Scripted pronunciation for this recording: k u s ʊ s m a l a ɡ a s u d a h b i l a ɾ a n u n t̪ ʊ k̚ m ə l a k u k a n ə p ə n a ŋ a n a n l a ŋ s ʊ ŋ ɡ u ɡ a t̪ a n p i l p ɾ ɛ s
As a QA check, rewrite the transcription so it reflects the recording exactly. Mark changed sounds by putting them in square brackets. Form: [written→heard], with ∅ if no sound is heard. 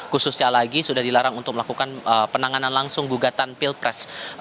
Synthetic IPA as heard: k u s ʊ s [m→ɲ] a l a ɡ [a→i] s u d a h [b→d] i l a ɾ a [n→ŋ] u n t̪ ʊ k̚ m ə l a k u k a n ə p ə n a ŋ a n a n l a ŋ s ʊ ŋ ɡ u ɡ a t̪ a n p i l p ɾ ɛ s

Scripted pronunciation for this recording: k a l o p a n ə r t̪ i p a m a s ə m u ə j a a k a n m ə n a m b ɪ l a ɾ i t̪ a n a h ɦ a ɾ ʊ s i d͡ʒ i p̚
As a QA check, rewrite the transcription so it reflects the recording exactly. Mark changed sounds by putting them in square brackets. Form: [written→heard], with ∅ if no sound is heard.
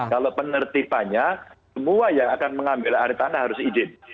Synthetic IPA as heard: k a l o p [a→ə] n ə r t̪ i p a [m→ɲ] a s ə m u [ə→a] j a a k a n m ə [n→ŋ] a m b ɪ l a ɾ i t̪ a n a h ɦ a ɾ ʊ s i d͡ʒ [i→ɪ] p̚

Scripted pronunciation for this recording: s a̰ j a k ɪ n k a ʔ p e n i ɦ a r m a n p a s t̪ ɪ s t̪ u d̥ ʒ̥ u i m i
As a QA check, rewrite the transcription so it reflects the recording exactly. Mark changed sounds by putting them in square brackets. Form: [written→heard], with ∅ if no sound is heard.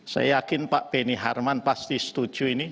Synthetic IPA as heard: s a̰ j a k ɪ n [k→p] a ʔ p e n i ɦ a r m a n p a s t̪ [ɪ→i] s t̪ u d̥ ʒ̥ u i [m→n] i

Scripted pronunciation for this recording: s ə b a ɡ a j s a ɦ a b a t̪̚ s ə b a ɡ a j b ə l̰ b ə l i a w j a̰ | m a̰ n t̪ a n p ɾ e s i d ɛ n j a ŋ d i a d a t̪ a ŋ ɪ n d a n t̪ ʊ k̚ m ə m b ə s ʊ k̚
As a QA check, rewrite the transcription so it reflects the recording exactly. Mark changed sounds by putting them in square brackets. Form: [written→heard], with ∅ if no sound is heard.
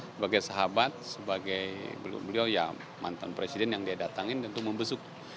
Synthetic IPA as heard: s ə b a ɡ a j s a ɦ a b a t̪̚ s ə b a ɡ a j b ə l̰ b ə l i a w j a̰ | m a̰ n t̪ a n p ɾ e s i d ɛ n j a ŋ d i a d a t̪ a ŋ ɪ n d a n t̪ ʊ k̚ m ə m b ə s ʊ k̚

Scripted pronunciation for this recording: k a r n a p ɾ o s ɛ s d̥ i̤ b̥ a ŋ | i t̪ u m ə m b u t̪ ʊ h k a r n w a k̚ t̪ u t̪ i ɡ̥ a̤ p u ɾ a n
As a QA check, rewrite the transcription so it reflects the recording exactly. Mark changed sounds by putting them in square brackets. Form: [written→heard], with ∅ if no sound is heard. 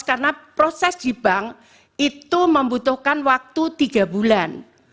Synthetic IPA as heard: k a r n a p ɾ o s ɛ s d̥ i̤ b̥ a ŋ | i t̪ u m ə m b u t̪ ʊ h k a [r→∅] n w a k̚ t̪ u t̪ i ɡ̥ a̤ [p→b] u [ɾ→l] a n

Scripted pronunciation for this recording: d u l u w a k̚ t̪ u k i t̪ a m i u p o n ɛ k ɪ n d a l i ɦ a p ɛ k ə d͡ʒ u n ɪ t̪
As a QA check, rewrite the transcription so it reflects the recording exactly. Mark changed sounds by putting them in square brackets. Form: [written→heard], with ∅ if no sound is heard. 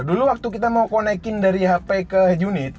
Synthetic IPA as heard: d u l u w a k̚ t̪ u k i t̪ a m [i→a] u [p→k] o n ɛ k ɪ n d a [l→ɾ] i ɦ a p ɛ k ə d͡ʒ u n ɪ t̪

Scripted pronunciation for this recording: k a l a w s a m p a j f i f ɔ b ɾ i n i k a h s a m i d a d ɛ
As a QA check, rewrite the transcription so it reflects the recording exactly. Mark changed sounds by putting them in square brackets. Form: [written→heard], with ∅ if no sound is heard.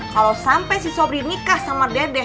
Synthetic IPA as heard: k a l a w s a m p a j [f→s] i [f→s] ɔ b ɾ i n i k a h s a m [i→a] d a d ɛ

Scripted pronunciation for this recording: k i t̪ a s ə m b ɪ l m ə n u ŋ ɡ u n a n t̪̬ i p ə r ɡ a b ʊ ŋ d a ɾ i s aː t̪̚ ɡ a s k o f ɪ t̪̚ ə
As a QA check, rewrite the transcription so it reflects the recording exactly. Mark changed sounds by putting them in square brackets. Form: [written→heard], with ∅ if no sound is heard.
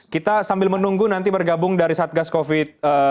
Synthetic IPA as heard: k i t̪ a s [ə→a] m b ɪ l m ə n u ŋ ɡ u n a n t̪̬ i [p→b] ə r ɡ a b ʊ ŋ d a ɾ i s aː t̪̚ ɡ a s k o f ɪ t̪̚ ə

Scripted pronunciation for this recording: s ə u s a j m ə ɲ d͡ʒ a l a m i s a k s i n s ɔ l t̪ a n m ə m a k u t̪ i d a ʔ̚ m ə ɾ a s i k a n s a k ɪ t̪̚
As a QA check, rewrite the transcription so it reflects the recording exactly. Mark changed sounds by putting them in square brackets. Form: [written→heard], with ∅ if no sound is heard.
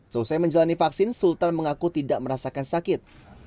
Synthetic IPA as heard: s ə u s a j m ə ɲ d͡ʒ a l a [m→n] i [s→f] a k s [i→ɪ] n s [ɔ→u] l t̪ a n m ə [m→ŋ] a k u t̪ i d a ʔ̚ m ə ɾ a s [i→a] k a n s a k ɪ t̪̚

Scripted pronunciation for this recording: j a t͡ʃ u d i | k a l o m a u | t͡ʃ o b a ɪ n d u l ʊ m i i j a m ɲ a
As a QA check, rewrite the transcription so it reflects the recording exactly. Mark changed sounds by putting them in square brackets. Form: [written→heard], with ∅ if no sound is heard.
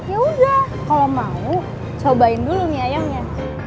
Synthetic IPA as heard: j a [t͡ʃ→∅] u d [i→a] | k a l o m a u | t͡ʃ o b a ɪ n d u l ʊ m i [i→a] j a [m→ŋ] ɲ a

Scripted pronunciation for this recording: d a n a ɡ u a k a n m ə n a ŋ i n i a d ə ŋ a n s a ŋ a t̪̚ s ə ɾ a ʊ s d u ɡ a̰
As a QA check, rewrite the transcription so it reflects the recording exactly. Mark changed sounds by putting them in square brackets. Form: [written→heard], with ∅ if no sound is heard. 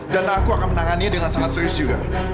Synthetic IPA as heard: d a n a [ɡ→k] u a k a n m ə n a ŋ [i→a] n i a d ə ŋ a n s a ŋ a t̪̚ s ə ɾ [a→i] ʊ s [d→d͡ʒ] u ɡ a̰

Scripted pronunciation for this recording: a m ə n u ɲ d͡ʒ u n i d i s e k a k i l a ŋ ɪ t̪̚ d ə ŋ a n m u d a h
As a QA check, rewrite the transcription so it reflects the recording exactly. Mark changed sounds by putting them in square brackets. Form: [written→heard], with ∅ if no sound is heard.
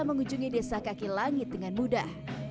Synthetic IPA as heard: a m ə [n→ŋ] u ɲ d͡ʒ u [n→ŋ] i d [i→e] s [e→a] k a k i l a ŋ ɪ t̪̚ d ə ŋ a n m u d a h

